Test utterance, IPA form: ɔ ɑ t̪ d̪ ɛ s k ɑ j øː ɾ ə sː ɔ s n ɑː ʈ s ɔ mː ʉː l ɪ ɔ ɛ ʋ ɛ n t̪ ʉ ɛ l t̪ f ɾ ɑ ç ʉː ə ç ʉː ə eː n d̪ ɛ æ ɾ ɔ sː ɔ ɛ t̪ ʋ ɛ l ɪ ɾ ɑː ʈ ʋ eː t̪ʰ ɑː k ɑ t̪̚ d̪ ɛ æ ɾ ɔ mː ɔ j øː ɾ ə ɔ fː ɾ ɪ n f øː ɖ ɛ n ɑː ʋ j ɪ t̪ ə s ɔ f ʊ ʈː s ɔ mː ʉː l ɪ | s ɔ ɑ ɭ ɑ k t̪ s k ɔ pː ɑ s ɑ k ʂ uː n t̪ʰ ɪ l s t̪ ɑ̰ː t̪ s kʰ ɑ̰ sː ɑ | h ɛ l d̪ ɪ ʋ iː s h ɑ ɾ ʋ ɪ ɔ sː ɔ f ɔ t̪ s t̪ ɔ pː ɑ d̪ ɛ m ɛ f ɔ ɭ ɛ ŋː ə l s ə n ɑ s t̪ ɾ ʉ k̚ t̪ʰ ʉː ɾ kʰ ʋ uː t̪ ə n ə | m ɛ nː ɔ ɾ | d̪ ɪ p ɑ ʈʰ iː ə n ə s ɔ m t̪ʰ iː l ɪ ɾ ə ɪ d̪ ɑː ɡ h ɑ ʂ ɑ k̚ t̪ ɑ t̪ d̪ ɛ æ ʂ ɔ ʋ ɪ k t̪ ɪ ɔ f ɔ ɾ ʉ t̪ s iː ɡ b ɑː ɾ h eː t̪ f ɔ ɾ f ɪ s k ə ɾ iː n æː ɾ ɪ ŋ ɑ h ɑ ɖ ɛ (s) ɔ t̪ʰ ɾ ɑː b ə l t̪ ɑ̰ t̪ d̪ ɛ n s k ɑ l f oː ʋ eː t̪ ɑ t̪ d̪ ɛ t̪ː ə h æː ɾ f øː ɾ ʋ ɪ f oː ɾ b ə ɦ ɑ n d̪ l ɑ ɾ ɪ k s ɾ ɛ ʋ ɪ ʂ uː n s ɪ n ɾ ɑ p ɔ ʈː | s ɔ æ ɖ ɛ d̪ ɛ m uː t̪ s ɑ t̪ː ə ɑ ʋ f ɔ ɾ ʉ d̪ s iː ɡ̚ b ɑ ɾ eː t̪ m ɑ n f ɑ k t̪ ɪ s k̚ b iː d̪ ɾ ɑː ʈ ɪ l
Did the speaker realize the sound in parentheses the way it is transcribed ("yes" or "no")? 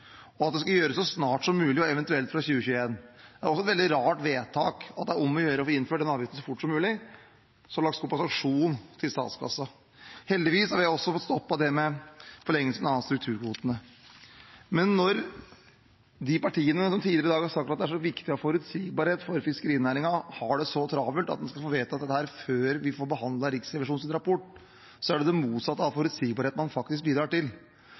yes